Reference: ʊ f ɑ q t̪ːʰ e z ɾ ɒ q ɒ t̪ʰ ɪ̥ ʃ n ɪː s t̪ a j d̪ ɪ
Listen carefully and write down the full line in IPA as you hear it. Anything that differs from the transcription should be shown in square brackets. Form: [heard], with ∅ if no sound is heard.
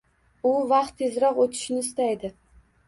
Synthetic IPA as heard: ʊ [v] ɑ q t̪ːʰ e z ɾ ɒ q [o] t̪ʰ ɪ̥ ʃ n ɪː s t̪ a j d̪ ɪ